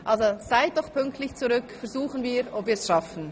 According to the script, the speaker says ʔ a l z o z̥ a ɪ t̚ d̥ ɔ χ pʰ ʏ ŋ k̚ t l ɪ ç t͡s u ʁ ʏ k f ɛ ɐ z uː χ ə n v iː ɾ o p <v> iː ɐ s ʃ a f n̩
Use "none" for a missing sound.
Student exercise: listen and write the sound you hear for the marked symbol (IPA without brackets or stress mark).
v